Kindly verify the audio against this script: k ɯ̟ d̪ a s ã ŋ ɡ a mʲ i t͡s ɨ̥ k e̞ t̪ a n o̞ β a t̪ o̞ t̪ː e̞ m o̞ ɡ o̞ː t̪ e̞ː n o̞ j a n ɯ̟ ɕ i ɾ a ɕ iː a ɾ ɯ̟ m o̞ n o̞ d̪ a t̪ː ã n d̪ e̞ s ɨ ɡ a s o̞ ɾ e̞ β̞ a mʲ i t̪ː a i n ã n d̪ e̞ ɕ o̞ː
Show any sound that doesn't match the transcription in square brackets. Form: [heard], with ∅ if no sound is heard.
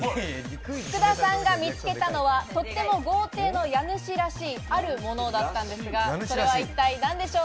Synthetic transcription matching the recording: k ɯ̟ d̪ a s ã ŋ ɡ a mʲ i t͡s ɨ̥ k e̞ t̪ a n o̞ β a t̪ o̞ t̪ː e̞ m o̞ ɡ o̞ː t̪ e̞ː n o̞ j a n ɯ̟ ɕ i ɾ a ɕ iː a ɾ ɯ̟ m o̞ n o̞ d̪ a t̪ː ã n d̪ e̞ s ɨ ɡ a s o̞ ɾ e̞ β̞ a [∅] i t̪ː a i n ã n d̪ e̞ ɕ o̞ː

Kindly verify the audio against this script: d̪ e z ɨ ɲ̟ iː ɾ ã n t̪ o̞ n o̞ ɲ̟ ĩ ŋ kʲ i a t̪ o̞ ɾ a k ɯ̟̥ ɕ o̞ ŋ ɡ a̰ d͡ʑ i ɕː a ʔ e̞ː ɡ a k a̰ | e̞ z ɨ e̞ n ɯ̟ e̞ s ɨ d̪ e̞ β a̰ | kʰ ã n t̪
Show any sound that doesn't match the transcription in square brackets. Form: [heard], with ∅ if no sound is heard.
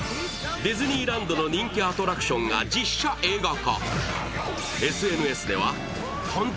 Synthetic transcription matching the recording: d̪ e z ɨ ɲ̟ iː ɾ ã n [d̪] o̞ n o̞ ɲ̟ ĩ ŋ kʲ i a t̪ o̞ ɾ a k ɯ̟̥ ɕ [õ̞] ŋ ɡ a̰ d͡ʑ i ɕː a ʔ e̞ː ɡ a k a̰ | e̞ [s] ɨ e̞ n ɯ̟ e̞ s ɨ d̪ e̞ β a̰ | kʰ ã n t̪

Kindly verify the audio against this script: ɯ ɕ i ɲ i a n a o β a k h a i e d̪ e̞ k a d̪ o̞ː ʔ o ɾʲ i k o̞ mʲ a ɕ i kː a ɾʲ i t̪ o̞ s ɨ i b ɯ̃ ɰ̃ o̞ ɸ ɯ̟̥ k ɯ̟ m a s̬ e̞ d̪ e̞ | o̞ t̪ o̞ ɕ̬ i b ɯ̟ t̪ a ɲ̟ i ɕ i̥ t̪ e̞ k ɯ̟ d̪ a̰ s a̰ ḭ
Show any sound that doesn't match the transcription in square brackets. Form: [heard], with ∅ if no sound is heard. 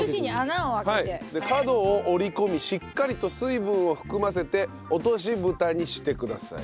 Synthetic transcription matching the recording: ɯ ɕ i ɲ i a n a o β a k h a i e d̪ e̞ k a d̪ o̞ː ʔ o ɾʲ i k o̞ mʲ [i] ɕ i kː a ɾʲ i t̪ o̞ s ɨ i b ɯ̃ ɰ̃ o̞ ɸ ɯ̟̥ k ɯ̟ m a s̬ e̞ [t̪] e̞ | o̞ t̪ o̞ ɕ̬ i b ɯ̟ t̪ a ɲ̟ i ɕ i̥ t̪ e̞ k ɯ̟ d̪ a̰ s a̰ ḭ

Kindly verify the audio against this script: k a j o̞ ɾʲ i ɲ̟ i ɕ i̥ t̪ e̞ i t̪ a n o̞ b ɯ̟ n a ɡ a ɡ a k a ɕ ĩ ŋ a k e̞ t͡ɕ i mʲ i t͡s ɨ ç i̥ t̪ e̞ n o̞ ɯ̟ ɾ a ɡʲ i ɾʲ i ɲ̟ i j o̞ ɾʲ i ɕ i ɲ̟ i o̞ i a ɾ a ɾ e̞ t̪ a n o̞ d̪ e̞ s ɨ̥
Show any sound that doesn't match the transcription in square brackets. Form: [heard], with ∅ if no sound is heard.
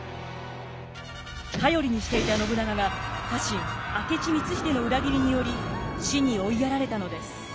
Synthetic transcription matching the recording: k a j o̞ ɾʲ i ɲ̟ i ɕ i̥ t̪ e̞ i t̪ a n o̞ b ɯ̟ n a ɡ a ɡ a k a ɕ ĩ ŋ a k e̞ t͡ɕ i mʲ i t͡s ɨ ç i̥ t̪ e̞ n o̞ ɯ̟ ɾ a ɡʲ i ɾʲ i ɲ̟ i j o̞ ɾʲ i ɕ i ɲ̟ i o̞ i a ɾ a ɾ e̞ t̪ a n o̞ d̪ e̞ s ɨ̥

